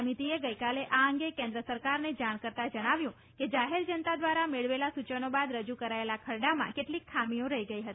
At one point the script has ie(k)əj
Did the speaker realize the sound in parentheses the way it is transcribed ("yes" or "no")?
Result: no